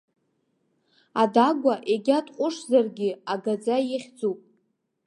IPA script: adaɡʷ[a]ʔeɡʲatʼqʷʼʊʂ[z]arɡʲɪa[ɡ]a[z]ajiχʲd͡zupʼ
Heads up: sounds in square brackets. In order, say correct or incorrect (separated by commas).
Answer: correct, correct, correct, incorrect